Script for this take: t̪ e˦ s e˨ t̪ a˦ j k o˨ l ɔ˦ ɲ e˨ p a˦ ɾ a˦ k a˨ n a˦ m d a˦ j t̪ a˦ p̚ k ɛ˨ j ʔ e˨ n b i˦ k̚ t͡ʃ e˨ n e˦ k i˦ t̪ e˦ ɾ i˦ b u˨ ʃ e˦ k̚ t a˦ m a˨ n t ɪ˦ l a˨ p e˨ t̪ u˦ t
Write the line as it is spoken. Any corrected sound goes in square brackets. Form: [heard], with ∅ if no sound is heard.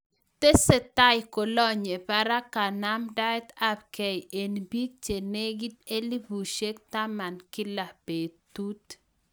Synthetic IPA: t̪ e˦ s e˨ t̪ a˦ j k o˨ l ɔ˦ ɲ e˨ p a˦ ɾ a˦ k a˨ n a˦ m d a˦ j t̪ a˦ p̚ k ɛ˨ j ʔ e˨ n b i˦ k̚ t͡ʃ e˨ n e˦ [ɡ] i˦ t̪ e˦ [l] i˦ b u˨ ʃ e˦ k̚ t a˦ m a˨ n [k] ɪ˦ l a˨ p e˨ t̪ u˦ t

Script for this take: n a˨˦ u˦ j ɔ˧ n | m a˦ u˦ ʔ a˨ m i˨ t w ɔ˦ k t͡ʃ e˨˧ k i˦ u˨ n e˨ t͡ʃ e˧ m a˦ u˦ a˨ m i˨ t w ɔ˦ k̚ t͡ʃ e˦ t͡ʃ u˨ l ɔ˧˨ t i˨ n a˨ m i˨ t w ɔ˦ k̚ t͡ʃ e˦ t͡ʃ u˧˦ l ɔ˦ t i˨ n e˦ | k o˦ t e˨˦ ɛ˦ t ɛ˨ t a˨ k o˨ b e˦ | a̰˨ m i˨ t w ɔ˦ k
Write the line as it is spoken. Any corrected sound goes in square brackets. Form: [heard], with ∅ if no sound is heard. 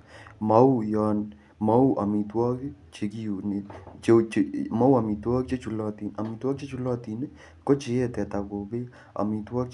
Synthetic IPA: [m] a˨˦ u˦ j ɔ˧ n | m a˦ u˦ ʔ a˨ m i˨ t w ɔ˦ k t͡ʃ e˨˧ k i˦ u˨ n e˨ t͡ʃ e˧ m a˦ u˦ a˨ m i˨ t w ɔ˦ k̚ t͡ʃ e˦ t͡ʃ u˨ l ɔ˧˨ t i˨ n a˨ m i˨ t w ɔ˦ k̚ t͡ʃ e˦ t͡ʃ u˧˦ l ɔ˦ t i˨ n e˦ | k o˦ [t͡ʃ] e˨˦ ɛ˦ t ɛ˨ t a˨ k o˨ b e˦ | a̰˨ m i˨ t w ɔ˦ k

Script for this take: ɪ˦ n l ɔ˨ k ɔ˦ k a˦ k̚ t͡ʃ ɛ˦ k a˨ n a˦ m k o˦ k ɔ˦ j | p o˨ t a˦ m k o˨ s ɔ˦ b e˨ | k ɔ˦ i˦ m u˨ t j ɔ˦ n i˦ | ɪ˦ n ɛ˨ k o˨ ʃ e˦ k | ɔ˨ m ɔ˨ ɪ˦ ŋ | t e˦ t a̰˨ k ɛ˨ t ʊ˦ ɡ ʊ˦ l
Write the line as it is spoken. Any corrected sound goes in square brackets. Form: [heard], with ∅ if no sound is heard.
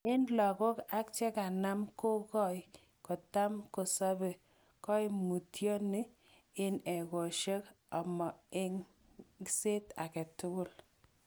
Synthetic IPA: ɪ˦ n l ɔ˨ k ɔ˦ k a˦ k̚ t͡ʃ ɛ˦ k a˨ n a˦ m k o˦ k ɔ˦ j | [k] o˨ t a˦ m k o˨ s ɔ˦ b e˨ | k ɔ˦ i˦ m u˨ t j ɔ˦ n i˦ | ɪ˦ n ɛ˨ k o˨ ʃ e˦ k | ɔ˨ m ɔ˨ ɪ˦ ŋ | [s] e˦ t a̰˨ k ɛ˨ t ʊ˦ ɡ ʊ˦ l

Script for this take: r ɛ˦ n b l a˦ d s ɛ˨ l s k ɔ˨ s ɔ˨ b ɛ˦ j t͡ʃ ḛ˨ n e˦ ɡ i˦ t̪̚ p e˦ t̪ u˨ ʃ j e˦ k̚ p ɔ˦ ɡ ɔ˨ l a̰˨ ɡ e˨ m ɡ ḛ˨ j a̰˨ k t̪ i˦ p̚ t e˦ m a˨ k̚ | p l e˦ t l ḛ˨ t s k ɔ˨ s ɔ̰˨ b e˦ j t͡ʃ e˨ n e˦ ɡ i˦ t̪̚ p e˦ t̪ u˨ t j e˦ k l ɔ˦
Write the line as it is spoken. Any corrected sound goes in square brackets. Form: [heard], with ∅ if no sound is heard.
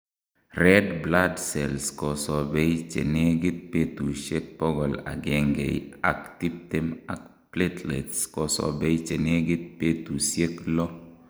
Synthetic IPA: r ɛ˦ [d] b l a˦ d s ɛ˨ l s k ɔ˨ s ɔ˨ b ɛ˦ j t͡ʃ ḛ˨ n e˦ ɡ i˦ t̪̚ p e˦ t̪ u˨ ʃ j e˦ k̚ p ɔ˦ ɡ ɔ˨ l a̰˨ ɡ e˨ [ŋ] ɡ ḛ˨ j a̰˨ k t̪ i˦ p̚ t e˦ m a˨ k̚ | p l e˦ t l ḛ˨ t s k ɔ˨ s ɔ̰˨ b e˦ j t͡ʃ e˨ n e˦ ɡ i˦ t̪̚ p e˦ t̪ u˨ [s] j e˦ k l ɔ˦

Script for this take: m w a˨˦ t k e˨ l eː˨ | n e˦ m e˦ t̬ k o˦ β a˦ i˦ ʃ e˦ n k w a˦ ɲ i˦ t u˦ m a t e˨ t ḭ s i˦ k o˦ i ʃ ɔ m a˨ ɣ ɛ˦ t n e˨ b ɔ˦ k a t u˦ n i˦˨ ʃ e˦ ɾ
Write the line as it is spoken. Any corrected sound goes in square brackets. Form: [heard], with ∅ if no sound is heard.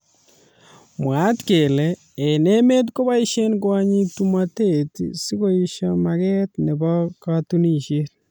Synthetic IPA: m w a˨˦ t k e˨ l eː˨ | n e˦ m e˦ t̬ k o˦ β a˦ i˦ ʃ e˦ n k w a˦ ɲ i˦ t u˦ m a t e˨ t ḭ s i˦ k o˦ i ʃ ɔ m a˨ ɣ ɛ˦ t n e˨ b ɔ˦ k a t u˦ n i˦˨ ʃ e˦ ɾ

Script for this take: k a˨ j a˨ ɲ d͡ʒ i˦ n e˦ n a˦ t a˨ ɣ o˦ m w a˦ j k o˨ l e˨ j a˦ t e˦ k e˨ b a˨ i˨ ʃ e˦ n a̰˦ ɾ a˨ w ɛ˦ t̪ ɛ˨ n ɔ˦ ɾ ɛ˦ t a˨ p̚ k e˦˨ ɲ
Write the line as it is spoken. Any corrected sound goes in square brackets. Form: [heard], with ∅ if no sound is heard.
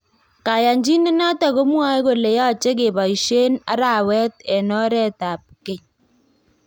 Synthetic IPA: k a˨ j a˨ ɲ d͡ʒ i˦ n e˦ n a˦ t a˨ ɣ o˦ m w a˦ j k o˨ l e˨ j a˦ [t͡ʃ] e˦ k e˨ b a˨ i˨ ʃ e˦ n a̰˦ ɾ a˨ w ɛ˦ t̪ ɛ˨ n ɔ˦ ɾ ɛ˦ t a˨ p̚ k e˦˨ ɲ

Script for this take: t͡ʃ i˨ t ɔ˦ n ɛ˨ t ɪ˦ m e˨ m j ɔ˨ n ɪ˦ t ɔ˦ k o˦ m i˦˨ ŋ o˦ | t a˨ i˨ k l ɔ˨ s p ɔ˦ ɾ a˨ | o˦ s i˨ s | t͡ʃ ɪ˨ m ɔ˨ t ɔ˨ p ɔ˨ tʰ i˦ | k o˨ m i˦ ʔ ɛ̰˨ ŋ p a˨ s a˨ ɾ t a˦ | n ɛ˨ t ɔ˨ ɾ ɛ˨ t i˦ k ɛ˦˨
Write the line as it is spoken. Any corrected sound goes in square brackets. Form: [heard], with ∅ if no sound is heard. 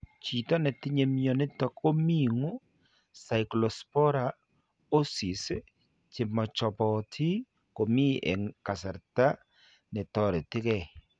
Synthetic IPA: t͡ʃ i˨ t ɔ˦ n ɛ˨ t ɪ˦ [ɲ] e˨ m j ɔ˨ n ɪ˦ t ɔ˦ k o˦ m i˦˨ ŋ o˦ | [s] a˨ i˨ k l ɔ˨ s p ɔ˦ ɾ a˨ | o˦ s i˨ s | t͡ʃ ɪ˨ m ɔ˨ [t͡ʃ] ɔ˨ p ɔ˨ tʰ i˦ | k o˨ m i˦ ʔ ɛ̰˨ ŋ [k] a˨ s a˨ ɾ t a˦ | n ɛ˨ t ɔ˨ ɾ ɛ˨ t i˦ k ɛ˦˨

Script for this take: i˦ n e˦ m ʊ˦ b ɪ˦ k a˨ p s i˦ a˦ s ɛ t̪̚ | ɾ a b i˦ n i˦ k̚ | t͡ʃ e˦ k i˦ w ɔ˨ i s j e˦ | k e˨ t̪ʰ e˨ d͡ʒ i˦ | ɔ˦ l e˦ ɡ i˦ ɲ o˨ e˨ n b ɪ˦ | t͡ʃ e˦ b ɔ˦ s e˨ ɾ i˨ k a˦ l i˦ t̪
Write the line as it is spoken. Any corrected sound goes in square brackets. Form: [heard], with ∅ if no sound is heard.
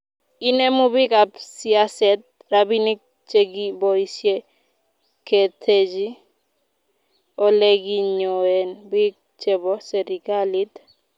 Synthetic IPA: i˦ n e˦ m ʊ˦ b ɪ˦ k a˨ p s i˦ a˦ s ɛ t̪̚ | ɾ a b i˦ n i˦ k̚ | t͡ʃ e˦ [ɡ] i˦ [b] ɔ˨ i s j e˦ | k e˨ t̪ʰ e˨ d͡ʒ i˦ | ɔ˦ l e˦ ɡ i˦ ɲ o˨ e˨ n b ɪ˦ | t͡ʃ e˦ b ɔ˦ s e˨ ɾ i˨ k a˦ l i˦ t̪

